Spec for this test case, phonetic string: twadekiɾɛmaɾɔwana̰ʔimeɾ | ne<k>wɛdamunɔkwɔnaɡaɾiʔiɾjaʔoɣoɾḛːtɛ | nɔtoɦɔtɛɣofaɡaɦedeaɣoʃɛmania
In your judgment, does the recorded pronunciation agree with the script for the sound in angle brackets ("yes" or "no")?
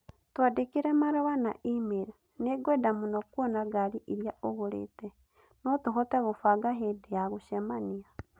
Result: no